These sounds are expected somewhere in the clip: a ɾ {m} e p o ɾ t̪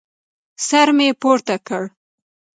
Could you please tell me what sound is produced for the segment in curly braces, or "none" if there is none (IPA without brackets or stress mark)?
m